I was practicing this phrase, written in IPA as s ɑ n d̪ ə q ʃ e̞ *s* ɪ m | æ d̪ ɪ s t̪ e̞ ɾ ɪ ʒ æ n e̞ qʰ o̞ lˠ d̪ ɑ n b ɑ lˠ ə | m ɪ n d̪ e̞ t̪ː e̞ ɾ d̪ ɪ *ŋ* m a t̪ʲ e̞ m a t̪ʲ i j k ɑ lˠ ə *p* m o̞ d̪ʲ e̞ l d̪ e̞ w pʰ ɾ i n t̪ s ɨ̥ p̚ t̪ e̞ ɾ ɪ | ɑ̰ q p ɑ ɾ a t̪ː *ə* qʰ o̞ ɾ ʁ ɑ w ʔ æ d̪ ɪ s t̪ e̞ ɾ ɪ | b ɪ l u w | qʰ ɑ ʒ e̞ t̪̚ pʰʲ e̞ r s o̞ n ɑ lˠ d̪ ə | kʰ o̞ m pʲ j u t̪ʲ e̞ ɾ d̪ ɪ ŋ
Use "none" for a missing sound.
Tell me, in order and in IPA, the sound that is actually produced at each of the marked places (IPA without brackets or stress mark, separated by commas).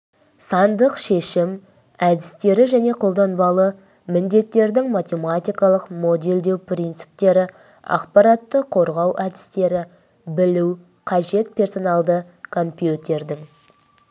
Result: ʃ, ŋ, q, ə